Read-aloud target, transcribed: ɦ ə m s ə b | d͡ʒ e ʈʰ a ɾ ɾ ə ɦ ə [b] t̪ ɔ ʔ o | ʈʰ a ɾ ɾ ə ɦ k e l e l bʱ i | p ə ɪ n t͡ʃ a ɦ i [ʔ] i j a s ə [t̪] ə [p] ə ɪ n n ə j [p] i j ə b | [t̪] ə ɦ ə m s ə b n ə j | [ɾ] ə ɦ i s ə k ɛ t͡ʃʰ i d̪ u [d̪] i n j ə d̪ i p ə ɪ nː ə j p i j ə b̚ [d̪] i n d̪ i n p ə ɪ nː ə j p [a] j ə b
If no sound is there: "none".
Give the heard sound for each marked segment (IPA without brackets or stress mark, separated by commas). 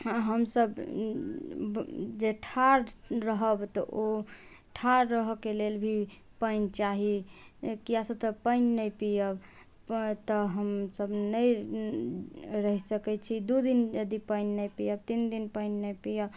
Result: b, k, t̪, p, p, t̪, ɾ, d̪, t̪, i